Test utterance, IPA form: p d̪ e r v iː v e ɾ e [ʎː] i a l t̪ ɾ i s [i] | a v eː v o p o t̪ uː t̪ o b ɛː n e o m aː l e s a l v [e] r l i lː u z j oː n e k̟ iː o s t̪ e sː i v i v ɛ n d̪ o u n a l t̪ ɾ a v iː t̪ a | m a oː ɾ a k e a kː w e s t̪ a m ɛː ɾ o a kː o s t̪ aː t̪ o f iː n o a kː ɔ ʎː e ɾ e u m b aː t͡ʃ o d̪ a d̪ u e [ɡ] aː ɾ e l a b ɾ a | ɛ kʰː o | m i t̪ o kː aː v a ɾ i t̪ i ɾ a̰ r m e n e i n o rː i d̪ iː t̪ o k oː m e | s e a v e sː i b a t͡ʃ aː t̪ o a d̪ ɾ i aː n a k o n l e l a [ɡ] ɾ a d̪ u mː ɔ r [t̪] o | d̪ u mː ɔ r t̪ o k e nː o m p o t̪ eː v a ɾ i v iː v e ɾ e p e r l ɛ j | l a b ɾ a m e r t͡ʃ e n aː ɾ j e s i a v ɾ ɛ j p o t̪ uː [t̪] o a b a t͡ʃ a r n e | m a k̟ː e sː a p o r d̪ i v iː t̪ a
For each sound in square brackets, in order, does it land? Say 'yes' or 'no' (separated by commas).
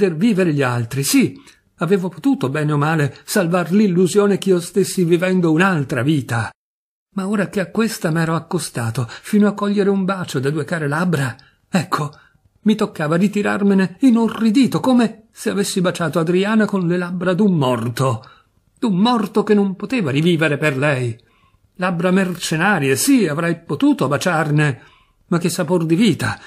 no, yes, no, no, no, yes, yes